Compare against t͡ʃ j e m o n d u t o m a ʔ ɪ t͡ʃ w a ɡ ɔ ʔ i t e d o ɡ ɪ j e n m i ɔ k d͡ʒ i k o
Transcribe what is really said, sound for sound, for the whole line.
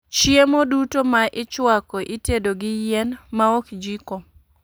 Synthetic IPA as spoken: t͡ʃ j e m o d u t o m a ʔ ɪ t͡ʃ w a k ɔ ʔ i t e d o ɡ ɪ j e n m a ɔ k d͡ʒ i k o